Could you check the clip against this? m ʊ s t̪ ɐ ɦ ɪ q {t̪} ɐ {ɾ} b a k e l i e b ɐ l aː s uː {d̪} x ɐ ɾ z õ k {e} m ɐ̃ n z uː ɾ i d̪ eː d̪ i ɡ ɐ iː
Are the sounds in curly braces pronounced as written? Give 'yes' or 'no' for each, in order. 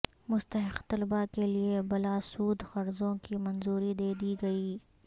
yes, no, yes, no

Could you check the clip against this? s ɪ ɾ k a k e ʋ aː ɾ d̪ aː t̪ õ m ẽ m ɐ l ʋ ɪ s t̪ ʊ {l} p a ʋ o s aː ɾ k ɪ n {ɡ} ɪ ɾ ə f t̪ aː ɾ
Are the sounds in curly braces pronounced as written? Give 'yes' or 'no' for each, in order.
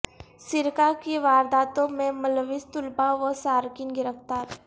yes, yes

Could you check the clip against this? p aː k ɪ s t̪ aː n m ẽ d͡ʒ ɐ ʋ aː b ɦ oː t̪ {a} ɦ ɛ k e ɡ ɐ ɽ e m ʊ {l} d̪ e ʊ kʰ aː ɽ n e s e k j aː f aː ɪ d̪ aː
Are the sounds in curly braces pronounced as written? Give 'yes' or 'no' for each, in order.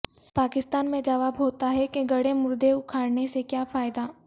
yes, no

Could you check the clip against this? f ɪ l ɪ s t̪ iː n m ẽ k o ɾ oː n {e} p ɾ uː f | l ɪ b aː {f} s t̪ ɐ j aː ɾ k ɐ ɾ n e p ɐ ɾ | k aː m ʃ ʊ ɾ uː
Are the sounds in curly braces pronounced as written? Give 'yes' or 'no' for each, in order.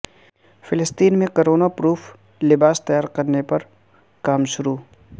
no, no

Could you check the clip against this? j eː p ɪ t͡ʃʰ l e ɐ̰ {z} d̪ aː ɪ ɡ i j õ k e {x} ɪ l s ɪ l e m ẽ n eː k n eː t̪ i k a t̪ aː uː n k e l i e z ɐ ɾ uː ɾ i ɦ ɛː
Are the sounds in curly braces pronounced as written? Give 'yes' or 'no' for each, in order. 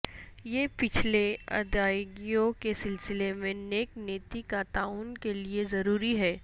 no, no

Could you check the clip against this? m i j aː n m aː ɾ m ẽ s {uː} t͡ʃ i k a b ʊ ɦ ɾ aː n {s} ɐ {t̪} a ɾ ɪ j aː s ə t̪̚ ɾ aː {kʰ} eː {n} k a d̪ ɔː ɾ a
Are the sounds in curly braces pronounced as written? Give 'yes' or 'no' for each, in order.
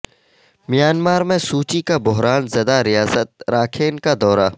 yes, no, no, yes, yes

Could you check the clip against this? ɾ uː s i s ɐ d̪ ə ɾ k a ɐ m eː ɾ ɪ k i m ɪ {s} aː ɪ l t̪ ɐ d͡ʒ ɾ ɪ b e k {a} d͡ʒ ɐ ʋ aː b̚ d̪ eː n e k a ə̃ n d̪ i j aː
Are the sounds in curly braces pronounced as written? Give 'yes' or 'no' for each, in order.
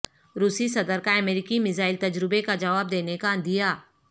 no, yes

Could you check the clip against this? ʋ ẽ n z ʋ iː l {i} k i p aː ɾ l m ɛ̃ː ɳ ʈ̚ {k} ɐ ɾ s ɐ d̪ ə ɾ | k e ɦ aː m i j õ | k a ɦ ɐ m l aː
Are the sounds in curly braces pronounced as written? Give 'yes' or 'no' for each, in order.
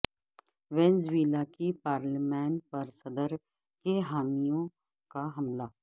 no, no

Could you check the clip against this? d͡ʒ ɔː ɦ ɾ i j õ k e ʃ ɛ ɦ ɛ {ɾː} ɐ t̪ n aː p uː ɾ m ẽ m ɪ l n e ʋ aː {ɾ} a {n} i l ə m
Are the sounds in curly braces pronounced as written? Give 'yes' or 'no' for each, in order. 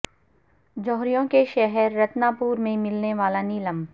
yes, no, yes

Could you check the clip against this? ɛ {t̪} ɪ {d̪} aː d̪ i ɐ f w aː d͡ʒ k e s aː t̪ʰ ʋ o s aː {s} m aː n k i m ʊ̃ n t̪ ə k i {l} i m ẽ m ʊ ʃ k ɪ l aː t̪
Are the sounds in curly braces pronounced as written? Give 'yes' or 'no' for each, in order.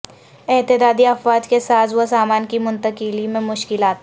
yes, yes, no, yes

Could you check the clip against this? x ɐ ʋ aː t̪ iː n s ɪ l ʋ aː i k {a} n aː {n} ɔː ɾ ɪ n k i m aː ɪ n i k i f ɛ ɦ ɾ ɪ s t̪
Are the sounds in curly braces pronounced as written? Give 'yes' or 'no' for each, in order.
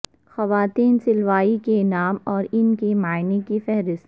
no, no

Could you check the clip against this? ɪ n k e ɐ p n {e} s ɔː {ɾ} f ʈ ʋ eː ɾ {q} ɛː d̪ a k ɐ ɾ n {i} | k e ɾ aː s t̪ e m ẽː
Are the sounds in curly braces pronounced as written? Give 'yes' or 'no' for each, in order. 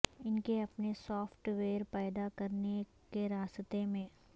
yes, no, no, no

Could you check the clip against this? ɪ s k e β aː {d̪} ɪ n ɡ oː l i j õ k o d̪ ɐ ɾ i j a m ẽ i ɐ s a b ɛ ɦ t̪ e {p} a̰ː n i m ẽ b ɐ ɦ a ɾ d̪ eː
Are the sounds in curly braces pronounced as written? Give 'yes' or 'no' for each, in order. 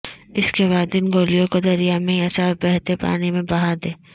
yes, yes

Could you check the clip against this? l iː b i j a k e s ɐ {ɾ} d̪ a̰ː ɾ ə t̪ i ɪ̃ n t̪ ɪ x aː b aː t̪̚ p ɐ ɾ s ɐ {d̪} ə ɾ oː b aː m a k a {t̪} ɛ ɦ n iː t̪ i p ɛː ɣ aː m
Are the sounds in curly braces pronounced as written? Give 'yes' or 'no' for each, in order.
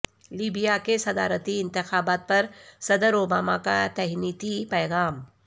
no, yes, yes

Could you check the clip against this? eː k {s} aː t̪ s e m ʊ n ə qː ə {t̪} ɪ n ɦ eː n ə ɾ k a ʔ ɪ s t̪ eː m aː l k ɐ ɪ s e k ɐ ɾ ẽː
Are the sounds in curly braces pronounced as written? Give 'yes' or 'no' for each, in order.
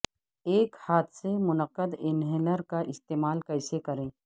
no, no

